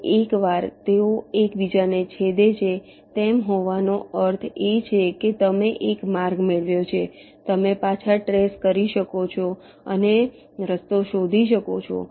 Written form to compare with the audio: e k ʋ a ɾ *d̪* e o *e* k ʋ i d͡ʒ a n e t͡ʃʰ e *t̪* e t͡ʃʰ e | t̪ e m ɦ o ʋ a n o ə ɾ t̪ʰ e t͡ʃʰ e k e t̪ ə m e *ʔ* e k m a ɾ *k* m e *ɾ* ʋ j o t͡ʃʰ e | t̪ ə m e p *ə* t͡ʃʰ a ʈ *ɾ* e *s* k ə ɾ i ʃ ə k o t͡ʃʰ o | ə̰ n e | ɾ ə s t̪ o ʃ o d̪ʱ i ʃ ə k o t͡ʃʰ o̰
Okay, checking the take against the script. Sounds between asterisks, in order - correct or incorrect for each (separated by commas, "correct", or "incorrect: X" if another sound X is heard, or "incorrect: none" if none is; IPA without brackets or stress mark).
incorrect: t̪, correct, incorrect: d̪, correct, incorrect: ɡ, incorrect: ɭ, incorrect: a, correct, correct